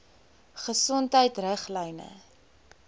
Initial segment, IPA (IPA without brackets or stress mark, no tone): χ